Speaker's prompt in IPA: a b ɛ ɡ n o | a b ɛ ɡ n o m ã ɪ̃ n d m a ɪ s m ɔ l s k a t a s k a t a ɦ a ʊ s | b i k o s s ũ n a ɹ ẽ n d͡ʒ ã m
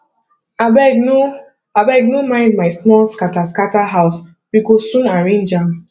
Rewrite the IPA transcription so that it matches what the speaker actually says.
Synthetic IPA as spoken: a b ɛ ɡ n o | a b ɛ ɡ n o m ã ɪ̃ n d m a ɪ s m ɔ l s k a t a s k a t a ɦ a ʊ s | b i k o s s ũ n a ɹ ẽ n d͡ʒ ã m